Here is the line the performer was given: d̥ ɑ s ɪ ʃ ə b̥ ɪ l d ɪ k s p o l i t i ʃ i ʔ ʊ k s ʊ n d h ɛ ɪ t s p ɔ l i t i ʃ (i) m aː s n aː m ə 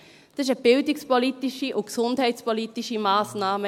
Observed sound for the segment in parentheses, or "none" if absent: i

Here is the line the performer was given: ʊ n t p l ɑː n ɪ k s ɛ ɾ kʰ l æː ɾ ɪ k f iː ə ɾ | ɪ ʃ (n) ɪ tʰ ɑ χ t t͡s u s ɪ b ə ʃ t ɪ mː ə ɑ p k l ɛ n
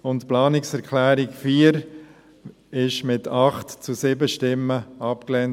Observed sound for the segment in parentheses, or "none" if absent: m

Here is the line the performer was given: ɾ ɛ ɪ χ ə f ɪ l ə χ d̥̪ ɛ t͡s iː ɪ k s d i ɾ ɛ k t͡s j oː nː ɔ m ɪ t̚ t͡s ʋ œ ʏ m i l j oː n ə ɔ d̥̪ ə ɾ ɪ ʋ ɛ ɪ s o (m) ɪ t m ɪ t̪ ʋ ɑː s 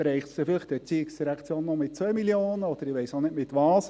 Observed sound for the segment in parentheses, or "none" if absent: n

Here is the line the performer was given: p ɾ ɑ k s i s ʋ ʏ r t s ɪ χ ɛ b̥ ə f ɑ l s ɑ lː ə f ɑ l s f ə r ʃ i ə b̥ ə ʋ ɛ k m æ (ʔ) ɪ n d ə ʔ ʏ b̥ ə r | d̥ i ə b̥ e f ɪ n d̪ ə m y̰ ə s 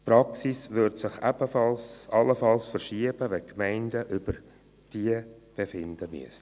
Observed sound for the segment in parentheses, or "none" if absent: none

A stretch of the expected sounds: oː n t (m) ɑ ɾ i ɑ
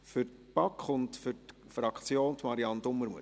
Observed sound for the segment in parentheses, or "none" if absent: m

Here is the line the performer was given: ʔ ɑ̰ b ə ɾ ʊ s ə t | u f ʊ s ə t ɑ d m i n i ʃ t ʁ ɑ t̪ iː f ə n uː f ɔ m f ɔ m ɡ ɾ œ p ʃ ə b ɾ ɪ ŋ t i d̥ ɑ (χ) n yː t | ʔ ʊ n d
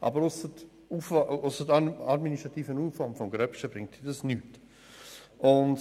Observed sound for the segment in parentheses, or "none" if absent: s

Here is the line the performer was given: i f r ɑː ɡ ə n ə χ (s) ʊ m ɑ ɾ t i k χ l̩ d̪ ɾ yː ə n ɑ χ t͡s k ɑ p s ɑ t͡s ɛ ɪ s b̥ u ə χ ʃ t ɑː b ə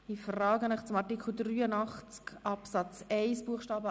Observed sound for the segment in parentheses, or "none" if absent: t͡s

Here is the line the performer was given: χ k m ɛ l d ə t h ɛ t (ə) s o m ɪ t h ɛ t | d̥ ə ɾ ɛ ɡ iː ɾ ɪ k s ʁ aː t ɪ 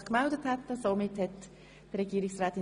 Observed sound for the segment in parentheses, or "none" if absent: ə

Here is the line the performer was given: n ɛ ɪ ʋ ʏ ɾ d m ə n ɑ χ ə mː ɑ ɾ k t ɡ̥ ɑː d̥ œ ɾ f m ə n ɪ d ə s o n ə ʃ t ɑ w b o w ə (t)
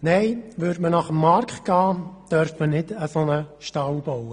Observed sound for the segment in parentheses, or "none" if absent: none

